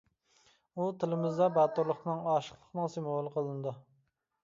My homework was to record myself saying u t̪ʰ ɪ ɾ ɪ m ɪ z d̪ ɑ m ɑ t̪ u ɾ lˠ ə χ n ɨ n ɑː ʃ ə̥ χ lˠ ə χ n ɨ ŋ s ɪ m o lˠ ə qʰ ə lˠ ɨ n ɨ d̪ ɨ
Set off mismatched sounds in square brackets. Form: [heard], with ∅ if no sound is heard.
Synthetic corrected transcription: u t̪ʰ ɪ [l] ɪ m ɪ z d̪ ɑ [b] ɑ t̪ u ɾ lˠ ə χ n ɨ [ŋ] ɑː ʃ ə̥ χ lˠ ə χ n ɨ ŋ s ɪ m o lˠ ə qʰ ə lˠ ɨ n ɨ d̪ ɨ